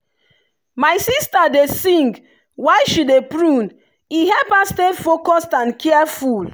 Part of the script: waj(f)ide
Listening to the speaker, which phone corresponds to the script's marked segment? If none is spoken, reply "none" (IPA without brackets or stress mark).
ʃ